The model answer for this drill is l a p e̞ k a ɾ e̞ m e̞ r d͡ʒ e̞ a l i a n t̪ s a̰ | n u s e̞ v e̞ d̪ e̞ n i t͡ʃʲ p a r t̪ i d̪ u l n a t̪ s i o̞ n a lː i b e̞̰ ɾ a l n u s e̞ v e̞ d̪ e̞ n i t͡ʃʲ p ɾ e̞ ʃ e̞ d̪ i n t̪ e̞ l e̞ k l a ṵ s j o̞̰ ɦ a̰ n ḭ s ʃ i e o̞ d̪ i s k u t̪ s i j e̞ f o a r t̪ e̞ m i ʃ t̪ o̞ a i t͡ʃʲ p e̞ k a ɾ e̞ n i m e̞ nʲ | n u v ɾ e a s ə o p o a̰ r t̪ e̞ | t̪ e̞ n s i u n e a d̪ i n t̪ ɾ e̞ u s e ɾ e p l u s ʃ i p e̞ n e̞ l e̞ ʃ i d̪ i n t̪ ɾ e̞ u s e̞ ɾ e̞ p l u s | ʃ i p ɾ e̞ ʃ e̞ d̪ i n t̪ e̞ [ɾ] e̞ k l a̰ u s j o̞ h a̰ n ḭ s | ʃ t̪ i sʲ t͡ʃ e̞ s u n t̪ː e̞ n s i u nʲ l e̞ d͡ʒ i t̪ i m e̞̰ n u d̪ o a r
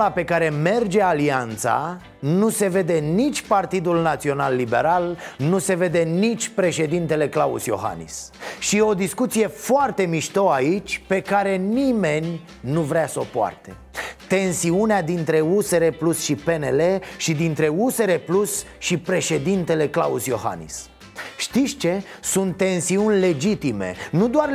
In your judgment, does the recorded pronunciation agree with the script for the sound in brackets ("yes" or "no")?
no